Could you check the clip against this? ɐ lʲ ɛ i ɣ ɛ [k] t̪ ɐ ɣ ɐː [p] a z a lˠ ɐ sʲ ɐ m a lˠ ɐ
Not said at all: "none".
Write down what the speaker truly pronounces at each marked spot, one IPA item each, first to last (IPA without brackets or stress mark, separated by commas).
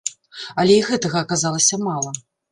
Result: none, k